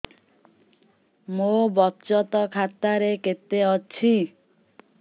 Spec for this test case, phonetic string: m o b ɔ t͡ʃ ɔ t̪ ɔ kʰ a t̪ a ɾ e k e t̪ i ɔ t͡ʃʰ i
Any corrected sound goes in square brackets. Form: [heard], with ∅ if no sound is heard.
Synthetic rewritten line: m o b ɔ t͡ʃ ɔ t̪ ɔ kʰ a t̪ a ɾ e k e t̪ [e] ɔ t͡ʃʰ i